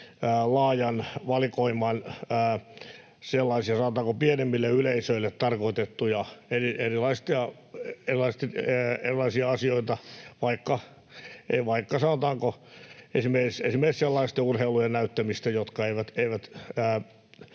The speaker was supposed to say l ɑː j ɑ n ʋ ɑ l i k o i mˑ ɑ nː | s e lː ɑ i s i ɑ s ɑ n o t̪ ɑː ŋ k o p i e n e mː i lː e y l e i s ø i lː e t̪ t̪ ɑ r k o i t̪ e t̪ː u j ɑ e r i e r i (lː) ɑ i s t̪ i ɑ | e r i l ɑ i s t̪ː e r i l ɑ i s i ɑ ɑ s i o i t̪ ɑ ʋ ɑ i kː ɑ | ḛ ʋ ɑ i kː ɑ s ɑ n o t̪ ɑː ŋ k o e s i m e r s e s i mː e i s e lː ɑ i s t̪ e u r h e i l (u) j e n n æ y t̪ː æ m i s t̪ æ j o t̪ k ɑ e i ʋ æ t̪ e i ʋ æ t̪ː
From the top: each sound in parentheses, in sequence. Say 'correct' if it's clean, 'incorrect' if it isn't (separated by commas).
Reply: incorrect, correct